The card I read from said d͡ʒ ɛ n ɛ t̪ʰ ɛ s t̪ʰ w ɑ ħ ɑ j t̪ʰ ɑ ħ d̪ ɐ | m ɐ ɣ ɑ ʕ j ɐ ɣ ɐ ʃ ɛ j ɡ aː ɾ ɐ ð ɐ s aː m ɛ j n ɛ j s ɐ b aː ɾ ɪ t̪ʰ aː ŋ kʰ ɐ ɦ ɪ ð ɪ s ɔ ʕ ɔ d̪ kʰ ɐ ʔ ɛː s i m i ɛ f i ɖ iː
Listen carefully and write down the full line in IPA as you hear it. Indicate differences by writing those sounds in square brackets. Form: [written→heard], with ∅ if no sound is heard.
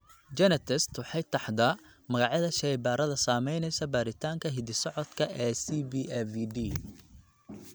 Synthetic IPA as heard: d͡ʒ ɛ n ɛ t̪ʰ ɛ s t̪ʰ w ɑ ħ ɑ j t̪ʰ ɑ ħ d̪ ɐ | m ɐ ɣ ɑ ʕ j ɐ [ɣ→ð] ɐ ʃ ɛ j [ɡ→b] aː ɾ ɐ ð ɐ s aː m ɛ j n ɛ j s ɐ b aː ɾ ɪ t̪ʰ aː ŋ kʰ ɐ ɦ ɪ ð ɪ s ɔ ʕ ɔ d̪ kʰ ɐ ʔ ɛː s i [m→b] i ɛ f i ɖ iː

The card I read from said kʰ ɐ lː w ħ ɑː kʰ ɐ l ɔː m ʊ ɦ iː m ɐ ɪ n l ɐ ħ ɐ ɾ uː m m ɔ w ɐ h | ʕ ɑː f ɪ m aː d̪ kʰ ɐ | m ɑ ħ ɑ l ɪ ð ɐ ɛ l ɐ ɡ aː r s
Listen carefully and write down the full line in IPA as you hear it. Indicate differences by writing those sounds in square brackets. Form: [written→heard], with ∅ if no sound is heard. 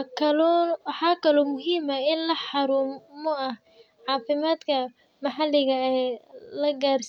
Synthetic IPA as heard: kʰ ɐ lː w ħ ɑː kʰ ɐ l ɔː m ʊ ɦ iː m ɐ ɪ n l ɐ ħ [ɐ→ɑ] ɾ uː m m ɔ [w→∅] ɐ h | ʕ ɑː f ɪ m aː d̪ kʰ ɐ | m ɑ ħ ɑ l ɪ [ð→ɣ] ɐ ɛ l ɐ ɡ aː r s

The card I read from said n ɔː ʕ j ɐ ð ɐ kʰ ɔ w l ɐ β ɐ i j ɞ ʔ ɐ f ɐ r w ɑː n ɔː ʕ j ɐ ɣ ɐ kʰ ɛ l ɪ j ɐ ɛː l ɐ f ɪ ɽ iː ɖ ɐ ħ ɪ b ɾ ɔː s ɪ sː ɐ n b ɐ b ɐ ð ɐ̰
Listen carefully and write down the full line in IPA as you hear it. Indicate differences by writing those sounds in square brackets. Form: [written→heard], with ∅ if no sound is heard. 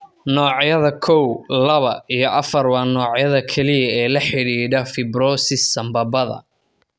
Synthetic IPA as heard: n ɔː ʕ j ɐ ð ɐ kʰ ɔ w l ɐ β ɐ i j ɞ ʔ ɐ f ɐ r w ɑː n ɔː ʕ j ɐ [ɣ→ð] ɐ kʰ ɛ l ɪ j ɐ ɛː l ɐ [f→ħ] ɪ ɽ iː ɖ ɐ [ħ→f] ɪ b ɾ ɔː s ɪ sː ɐ [n→m] b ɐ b ɐ ð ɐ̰

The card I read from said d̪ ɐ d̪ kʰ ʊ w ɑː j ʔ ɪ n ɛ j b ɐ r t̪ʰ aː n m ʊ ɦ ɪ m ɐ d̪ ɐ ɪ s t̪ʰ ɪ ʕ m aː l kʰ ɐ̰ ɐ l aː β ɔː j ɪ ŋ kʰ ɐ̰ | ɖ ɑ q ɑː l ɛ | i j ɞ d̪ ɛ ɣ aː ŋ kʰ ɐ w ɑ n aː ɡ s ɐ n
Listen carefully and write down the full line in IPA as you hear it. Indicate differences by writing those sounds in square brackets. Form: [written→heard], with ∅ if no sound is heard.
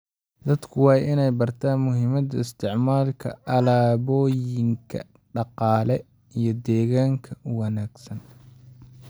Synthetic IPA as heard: d̪ ɐ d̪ kʰ ʊ w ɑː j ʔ ɪ n ɛ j b ɐ r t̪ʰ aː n m ʊ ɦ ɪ m ɐ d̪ ɐ ɪ s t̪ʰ ɪ ʕ m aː l kʰ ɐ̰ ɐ l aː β ɔː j ɪ ŋ kʰ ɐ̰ | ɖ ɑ q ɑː l ɛ | i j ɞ d̪ [ɛ→ɛː] ɣ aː ŋ kʰ ɐ w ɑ n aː ɡ s ɐ n

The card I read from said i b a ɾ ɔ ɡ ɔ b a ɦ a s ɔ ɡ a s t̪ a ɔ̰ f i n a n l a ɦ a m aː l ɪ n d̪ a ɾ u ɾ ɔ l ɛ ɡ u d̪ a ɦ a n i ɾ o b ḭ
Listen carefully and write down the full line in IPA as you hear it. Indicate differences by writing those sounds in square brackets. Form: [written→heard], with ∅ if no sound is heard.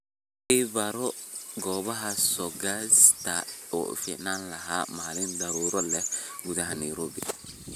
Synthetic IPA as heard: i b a ɾ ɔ ɡ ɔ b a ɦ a s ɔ ɡ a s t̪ a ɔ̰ f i n a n l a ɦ a m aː l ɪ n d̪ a ɾ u ɾ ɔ l ɛ ɡ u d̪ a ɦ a n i ɾ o b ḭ

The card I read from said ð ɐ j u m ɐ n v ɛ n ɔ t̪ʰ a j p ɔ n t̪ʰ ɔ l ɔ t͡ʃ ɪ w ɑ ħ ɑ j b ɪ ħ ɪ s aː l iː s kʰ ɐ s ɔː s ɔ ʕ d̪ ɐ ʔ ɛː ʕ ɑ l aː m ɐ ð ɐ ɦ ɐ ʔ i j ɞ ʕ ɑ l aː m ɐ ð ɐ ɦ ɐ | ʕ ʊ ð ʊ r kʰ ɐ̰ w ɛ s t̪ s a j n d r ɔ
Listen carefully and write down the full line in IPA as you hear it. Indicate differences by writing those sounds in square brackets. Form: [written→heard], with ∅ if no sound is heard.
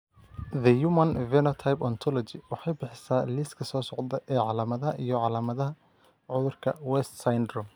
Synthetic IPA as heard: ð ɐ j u m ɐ n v ɛ n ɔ t̪ʰ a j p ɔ n t̪ʰ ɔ l ɔ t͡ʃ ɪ w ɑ ħ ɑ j b ɪ ħ ɪ s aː l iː s kʰ ɐ s ɔː s ɔ ʕ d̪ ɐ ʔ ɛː ʕ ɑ l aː m ɐ ð ɐ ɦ ɐ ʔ i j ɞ ʕ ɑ l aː m ɐ ð ɐ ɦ ɐ | ʕ ʊ ð ʊ r kʰ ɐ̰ w ɛ s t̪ s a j n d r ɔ

